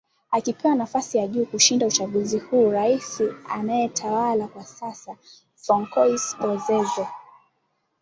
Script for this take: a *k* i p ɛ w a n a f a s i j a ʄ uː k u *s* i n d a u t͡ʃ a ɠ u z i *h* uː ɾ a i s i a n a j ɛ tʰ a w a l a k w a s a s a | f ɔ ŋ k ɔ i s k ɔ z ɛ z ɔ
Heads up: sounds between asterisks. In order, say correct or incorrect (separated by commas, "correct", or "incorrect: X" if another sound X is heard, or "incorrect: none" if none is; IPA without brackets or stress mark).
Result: correct, incorrect: ʃ, correct